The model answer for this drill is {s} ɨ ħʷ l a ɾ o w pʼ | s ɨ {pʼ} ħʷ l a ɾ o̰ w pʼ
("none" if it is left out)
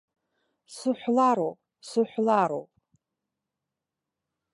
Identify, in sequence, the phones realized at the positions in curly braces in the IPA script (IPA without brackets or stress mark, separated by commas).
s, none